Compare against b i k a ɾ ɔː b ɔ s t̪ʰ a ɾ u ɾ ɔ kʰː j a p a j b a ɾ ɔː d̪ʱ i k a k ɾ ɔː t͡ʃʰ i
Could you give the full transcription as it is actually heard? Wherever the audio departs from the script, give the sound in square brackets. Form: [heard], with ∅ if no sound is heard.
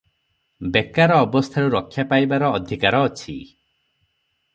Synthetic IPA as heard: b [e] k a ɾ ɔː b ɔ s t̪ʰ a ɾ u ɾ ɔ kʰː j a p a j b a ɾ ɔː d̪ʱ i k a [∅] ɾ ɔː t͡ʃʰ i